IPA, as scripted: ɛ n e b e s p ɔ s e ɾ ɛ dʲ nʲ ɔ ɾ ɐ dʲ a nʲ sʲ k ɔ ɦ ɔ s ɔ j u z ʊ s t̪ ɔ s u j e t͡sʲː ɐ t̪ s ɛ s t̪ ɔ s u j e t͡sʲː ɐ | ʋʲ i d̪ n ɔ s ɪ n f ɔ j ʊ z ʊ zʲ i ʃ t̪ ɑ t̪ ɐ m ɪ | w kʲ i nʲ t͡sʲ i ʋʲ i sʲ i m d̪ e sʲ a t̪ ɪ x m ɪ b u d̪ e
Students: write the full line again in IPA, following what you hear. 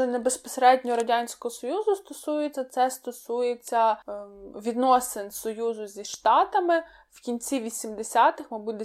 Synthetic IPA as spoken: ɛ n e b e s p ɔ s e ɾ ɛ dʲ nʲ ɔ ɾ ɐ dʲ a nʲ sʲ k ɔ ɦ ɔ s ɔ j u z ʊ s t̪ ɔ s u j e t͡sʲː ɐ t̪ s ɛ s t̪ ɔ s u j e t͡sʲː ɐ | ʋʲ i d̪ n ɔ s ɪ n s ɔ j u z ʊ zʲ i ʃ t̪ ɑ t̪ ɐ m ɪ | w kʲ i nʲ t͡sʲ i ʋʲ i sʲ i m d̪ e sʲ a t̪ ɪ x m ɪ b u d̪ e